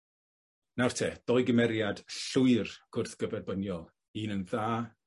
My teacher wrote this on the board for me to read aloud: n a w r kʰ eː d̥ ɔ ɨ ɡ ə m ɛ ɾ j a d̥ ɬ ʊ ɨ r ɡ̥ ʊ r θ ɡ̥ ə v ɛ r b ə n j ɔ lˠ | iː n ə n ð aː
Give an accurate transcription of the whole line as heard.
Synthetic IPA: n a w r tʰ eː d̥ ɔ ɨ ɡ ə m ɛ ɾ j a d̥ ɬ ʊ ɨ r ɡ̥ ʊ r θ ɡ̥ ə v ɛ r b ə n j ɔ lˠ | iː n ə n ð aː